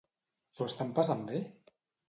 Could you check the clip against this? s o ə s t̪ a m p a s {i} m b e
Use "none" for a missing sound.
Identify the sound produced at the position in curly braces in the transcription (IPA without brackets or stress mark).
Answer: a